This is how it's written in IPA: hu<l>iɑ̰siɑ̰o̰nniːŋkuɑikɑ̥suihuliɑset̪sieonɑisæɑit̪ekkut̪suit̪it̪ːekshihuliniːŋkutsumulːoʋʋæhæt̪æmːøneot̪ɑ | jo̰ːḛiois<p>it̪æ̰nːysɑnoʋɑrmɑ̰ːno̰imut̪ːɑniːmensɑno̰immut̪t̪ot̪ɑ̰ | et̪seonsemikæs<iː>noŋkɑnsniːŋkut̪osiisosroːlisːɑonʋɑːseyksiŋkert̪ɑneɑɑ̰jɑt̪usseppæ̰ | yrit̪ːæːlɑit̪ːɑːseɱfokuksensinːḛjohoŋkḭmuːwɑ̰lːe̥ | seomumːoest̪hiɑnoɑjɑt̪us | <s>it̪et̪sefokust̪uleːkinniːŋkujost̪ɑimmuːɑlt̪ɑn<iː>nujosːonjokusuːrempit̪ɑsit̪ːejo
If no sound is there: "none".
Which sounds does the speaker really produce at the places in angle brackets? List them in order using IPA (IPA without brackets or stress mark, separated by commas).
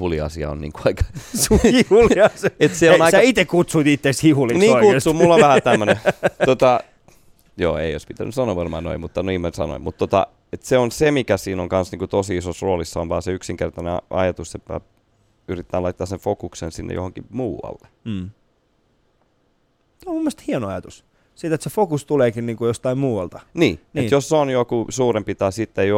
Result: l, p, iː, s, iː